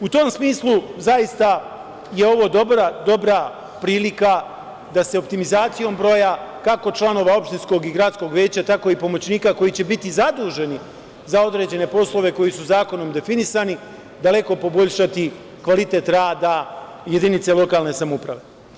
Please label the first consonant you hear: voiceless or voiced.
voiceless